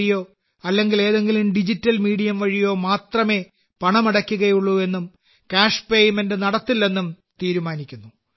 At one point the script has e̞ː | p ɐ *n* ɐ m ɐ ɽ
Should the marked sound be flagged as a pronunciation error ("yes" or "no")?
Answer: yes